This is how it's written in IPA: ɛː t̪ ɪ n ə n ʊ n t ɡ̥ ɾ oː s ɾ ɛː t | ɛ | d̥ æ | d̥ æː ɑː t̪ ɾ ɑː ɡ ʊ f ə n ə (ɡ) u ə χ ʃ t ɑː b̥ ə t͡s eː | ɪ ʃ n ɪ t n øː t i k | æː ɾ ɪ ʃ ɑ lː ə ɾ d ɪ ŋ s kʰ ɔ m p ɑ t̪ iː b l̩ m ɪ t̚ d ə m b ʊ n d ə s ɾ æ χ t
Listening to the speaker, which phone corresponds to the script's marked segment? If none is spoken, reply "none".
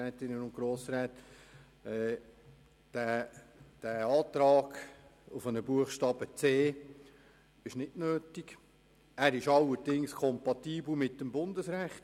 b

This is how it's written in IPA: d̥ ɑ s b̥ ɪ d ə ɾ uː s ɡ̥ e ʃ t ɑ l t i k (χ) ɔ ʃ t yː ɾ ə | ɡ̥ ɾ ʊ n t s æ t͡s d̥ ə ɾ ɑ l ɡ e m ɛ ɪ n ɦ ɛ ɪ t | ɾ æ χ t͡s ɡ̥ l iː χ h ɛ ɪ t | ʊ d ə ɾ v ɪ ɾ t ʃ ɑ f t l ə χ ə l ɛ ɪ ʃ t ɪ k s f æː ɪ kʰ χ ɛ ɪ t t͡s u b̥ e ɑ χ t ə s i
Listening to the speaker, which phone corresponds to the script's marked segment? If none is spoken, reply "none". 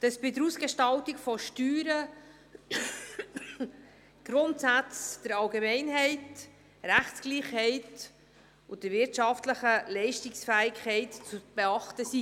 f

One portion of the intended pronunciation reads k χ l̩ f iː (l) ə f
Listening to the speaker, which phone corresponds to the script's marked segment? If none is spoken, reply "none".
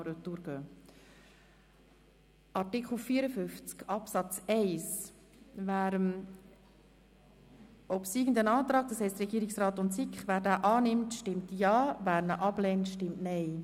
ɾ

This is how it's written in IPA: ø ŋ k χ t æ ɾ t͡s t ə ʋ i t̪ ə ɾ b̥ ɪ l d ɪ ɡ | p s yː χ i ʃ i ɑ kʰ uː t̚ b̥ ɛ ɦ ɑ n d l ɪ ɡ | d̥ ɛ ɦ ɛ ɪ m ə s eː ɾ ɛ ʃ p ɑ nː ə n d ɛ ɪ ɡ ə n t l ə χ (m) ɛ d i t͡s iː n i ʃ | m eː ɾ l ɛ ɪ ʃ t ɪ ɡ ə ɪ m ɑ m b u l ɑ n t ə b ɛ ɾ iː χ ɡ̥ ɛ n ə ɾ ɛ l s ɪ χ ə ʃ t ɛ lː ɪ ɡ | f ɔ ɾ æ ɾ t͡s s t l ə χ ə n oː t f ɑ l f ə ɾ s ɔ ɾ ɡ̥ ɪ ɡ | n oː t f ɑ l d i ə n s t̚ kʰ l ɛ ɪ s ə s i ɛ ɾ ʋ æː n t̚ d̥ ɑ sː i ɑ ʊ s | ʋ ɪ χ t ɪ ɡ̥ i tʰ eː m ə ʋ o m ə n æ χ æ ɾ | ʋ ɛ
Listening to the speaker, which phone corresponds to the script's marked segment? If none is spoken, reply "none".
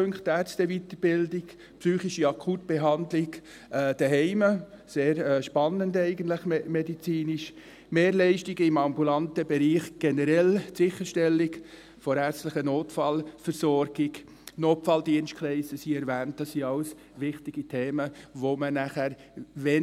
m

